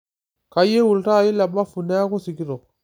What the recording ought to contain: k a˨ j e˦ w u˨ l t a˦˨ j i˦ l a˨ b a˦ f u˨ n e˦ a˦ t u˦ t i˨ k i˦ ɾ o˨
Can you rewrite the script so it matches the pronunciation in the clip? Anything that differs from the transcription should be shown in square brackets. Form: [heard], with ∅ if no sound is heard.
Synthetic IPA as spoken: k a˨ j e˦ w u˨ l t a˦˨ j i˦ l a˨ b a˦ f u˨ n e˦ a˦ [k] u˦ [s] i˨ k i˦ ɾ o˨